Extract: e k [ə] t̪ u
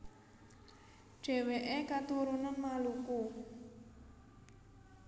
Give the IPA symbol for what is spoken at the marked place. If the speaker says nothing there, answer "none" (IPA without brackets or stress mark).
a